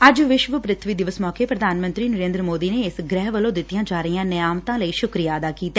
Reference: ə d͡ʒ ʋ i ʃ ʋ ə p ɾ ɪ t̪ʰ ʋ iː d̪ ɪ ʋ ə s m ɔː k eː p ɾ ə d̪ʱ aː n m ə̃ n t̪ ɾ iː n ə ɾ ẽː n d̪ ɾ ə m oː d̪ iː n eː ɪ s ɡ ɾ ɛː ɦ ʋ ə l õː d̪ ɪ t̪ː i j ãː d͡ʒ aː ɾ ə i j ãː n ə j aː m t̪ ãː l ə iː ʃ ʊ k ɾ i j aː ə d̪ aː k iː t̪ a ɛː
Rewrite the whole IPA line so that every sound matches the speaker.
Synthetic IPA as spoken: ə d͡ʒ ʋ ɪ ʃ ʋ ə p ɾ ɪ t̪ʰ ʋ iː d̪ ɪ ʋ ə s m ɔː k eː p ɾ ə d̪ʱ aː n m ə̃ n t̪ ɾ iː n ə ɾ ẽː n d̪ ɾ ə m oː d̪ iː n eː ɪ s ɡ ɾ ɛː ɦ ʋ ə l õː d̪ ɪ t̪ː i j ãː d͡ʒ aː ɾ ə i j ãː n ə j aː m t̪ ãː l ə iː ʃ ʊ k ɾ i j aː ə d̪ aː k iː t̪ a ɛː

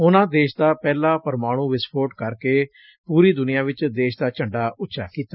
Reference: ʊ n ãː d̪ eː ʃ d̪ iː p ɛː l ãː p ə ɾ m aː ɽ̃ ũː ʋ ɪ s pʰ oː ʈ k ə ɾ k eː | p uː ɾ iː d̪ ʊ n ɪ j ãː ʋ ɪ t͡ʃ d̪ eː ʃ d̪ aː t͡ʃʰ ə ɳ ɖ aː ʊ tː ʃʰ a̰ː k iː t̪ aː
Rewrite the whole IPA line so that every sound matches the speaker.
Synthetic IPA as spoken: ʊ n ãː d̪ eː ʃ d̪ aː p ɛː l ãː p ə ɾ m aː ɽ̃ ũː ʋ ɪ s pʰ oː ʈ k ə ɾ k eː | p uː ɾ iː d̪ ʊ n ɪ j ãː ʋ ɪ t͡ʃ d̪ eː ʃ d̪ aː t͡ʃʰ ə ɳ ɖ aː ʊ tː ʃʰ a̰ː k iː t̪ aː

